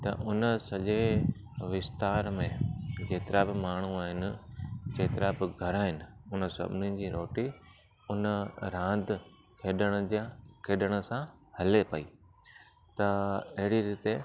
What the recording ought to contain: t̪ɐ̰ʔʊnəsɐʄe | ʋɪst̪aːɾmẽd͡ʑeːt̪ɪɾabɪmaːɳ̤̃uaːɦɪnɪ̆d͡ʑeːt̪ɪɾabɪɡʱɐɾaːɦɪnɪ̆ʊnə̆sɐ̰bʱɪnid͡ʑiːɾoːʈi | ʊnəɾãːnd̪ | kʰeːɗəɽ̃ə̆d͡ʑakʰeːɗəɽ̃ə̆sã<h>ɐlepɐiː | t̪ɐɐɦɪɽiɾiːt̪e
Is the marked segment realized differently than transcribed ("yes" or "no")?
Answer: no